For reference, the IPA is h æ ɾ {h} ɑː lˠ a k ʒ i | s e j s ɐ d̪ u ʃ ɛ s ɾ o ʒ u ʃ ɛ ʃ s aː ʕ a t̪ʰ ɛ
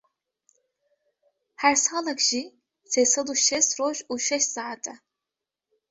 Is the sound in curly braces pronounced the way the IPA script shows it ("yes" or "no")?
no